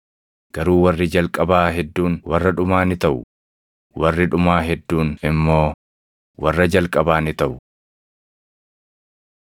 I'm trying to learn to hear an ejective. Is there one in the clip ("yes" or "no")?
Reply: yes